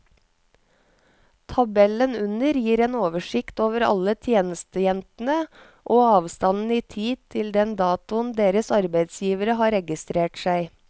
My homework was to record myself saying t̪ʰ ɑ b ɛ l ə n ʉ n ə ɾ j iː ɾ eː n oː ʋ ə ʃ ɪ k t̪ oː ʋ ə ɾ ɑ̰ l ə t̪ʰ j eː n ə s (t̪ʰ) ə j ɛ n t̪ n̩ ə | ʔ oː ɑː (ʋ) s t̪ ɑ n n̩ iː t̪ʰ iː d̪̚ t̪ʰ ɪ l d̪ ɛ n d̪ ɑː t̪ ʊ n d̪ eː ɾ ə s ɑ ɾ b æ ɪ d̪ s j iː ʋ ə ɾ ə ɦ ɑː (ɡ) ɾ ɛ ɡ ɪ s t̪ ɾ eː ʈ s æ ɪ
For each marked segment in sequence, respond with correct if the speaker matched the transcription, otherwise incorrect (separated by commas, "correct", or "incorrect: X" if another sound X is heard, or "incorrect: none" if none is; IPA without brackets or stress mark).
incorrect: t̪, correct, incorrect: none